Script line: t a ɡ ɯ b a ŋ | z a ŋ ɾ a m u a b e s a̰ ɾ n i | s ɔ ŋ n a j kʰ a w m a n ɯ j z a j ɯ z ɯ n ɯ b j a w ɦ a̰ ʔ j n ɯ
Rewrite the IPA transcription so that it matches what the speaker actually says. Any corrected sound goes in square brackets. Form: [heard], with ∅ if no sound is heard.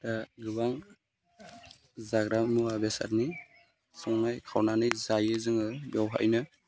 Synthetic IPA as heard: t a ɡ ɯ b a ŋ | z a [ɡ] ɾ a m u a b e s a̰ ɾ n i | s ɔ ŋ n a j kʰ a w [n] a n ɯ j z a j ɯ z ɯ [ŋ] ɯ b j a w ɦ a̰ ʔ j n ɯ